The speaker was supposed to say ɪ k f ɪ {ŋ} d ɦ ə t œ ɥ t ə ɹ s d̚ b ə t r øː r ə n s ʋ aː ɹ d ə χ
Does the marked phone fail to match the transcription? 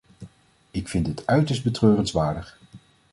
yes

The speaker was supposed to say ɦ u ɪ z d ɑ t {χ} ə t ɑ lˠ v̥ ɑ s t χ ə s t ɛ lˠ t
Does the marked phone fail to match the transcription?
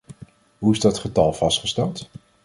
no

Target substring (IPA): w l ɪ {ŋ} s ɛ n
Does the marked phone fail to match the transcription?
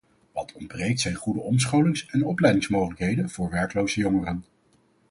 no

